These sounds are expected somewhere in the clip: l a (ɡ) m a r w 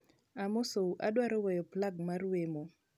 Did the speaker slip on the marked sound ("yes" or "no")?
no